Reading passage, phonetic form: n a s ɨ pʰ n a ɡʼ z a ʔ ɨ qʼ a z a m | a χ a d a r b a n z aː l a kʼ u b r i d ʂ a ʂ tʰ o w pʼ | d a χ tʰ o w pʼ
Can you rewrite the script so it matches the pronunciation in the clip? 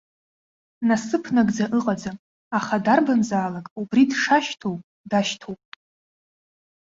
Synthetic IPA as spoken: n a s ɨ pʰ n a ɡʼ d͡z a ʔ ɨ qʼ a d͡z a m | a χ a d a r b a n z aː l a kʼ u b r i d ʂ a ʃ tʰ o w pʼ | d a ʃ tʰ o w pʼ